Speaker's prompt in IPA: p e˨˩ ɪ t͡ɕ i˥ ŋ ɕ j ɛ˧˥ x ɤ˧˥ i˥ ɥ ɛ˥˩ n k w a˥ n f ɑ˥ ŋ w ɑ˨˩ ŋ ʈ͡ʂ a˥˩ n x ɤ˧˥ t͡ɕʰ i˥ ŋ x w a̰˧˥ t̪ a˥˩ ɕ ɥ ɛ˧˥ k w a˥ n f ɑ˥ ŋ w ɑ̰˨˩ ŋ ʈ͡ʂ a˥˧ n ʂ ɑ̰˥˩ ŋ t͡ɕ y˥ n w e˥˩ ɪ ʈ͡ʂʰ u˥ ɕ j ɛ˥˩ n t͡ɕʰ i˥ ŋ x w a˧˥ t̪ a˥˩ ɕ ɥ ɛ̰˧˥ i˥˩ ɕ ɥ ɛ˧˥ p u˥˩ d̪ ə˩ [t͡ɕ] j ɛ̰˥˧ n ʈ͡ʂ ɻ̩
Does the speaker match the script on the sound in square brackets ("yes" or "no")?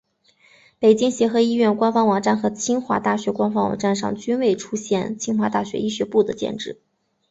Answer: yes